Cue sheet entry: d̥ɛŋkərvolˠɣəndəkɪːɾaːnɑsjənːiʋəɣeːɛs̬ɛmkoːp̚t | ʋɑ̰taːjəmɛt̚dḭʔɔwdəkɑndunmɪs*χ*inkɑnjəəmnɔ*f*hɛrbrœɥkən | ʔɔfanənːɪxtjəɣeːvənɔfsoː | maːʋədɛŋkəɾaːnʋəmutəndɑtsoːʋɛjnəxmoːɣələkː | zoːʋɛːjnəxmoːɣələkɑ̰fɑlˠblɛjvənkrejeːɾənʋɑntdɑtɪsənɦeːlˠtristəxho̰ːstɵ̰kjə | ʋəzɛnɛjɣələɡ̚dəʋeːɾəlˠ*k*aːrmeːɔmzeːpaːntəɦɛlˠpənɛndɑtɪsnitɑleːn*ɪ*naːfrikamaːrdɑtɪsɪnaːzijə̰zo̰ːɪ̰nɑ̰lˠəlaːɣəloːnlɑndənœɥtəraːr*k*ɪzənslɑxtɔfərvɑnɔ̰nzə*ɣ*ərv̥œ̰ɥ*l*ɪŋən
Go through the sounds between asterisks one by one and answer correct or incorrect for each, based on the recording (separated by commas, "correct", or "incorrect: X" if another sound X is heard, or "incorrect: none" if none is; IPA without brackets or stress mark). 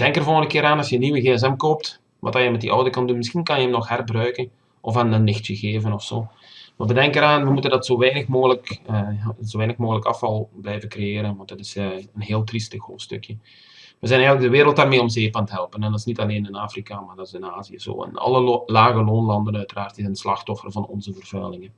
incorrect: x, incorrect: x, incorrect: t, correct, incorrect: t, incorrect: v, correct